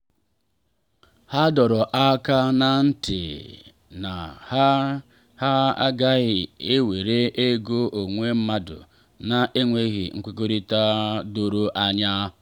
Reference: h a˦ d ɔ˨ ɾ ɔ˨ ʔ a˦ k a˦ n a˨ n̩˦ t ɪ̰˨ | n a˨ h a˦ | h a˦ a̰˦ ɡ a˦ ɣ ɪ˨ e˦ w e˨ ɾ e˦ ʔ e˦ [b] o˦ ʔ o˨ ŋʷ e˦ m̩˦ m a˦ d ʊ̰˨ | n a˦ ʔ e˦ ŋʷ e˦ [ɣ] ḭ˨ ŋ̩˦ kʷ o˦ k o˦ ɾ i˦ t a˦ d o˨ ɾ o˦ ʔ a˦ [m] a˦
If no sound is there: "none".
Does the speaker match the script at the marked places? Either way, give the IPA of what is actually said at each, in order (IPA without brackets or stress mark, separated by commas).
ɡ, ɣ, ɲ